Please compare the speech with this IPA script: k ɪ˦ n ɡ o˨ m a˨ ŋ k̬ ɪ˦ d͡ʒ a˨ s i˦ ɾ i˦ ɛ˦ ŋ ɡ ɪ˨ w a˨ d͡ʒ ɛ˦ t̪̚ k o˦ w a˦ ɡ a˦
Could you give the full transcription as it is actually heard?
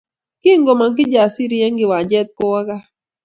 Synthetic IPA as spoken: k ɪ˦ ŋ ɡ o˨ m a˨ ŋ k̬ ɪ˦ d͡ʒ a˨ s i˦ ɾ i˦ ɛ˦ ŋ ɡ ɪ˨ w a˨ d͡ʒ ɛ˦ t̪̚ k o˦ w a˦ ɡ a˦